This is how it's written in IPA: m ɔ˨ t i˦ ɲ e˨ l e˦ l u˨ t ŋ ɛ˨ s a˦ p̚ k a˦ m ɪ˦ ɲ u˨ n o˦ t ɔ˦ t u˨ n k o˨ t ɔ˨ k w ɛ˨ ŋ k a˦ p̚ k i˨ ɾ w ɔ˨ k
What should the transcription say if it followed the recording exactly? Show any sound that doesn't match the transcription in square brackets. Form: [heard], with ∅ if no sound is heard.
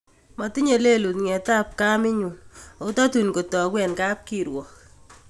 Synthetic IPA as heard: m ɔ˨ t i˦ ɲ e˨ l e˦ l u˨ t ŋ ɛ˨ [t] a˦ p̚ k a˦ m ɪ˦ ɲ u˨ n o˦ t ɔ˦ t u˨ n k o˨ t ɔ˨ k w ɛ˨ [n] k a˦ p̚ k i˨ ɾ w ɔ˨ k

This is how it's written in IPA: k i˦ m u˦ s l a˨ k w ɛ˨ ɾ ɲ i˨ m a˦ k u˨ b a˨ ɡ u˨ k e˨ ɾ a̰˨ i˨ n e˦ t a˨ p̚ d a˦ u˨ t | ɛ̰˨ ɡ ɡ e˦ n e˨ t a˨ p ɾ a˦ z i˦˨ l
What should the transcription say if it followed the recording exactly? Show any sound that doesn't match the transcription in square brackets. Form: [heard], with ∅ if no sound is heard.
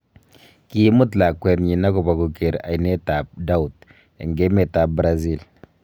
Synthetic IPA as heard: k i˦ m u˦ [t] l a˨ k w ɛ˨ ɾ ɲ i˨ [n] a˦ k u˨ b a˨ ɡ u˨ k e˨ ɾ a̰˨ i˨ n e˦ t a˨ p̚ d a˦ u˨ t | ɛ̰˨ [ŋ] ɡ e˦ [m] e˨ t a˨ [b] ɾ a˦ z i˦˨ l

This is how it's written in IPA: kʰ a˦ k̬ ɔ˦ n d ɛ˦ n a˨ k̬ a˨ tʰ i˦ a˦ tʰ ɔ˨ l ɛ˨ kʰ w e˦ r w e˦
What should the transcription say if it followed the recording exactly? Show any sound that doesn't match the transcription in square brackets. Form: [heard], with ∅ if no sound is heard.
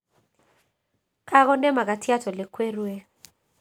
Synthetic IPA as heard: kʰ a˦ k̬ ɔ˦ n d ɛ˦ [m] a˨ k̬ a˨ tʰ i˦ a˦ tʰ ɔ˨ l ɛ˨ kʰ w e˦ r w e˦

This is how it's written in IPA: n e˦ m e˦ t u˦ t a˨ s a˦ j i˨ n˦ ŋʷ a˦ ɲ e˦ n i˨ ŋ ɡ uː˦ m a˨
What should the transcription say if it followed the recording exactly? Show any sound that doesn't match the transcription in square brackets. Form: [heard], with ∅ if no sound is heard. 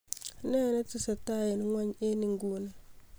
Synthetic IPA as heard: n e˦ [n] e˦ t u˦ [s] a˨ [t] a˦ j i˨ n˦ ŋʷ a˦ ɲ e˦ n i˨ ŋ ɡ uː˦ [n] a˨

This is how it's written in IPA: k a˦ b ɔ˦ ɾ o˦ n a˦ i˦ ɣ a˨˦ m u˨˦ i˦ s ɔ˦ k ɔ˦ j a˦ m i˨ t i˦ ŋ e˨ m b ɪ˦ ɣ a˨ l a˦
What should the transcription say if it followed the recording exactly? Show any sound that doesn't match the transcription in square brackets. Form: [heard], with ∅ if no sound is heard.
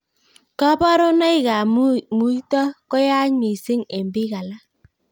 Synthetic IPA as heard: k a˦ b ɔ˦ ɾ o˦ n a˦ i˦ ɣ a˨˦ m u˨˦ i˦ [t] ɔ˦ k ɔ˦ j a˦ [ɲ] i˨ [s] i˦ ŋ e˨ m b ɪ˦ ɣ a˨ l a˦

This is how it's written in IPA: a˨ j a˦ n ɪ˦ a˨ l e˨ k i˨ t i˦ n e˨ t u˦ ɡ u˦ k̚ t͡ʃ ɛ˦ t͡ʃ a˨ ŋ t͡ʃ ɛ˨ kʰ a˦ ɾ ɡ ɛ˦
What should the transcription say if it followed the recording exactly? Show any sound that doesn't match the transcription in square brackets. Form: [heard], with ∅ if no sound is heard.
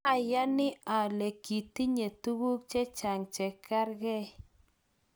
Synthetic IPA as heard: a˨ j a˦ n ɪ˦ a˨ l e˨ k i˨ t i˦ [ɲ] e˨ t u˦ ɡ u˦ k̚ t͡ʃ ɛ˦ t͡ʃ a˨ ŋ t͡ʃ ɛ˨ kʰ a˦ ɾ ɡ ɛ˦

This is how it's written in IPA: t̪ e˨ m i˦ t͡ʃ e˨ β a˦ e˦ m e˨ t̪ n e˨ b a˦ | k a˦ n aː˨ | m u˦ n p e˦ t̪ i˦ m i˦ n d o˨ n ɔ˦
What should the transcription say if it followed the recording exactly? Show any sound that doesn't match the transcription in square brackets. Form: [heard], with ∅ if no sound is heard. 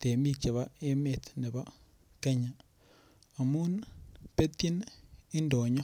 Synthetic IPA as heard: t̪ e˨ m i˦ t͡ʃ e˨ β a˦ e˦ m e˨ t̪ n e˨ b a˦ | k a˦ [ɲ] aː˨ | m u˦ n p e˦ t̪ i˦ [n] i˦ n d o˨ [ɲ] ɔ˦

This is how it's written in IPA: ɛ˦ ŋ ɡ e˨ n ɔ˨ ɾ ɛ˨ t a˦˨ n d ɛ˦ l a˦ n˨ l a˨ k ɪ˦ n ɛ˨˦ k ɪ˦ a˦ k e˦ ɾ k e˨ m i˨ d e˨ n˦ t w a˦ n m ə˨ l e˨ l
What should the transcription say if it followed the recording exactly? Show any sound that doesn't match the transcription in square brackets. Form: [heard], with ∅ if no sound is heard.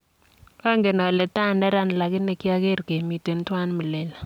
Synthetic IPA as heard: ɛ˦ ŋ ɡ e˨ n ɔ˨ [l] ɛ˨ t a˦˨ n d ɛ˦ [ɾ] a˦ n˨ l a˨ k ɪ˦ n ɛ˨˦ k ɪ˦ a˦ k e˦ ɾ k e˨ m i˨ [t] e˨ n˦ t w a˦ n m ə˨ l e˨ l

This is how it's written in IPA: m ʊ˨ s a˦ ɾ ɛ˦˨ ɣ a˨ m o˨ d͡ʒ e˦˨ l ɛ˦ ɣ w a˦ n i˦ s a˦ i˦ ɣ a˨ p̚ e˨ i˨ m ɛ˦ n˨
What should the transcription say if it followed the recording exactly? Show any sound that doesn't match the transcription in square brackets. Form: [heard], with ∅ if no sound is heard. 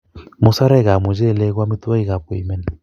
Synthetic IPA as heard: m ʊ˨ s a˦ ɾ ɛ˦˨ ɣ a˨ m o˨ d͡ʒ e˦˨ l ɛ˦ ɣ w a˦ [m] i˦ [t] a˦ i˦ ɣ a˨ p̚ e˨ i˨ m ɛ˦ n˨

